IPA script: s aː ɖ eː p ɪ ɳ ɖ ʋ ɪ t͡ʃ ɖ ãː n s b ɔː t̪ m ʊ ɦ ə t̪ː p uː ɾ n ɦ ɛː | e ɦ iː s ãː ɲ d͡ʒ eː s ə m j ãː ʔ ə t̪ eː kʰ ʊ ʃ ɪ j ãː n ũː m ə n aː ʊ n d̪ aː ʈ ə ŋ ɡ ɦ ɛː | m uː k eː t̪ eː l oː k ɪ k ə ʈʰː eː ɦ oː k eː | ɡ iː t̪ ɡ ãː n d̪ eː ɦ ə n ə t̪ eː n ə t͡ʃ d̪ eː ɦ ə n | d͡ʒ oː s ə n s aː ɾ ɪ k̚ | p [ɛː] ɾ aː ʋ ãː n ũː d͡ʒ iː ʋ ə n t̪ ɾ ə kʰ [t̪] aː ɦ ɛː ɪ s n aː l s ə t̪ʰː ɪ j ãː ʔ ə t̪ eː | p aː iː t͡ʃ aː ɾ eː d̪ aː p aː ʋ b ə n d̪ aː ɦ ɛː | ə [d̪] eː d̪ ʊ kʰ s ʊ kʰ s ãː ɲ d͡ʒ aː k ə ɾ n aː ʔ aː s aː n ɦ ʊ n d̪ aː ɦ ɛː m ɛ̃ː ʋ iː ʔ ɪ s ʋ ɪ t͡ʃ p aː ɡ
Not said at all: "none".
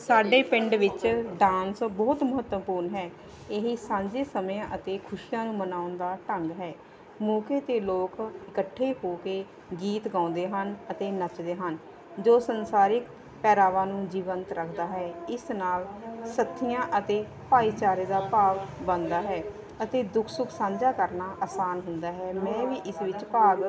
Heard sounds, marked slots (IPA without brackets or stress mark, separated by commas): ɛː, d̪, t̪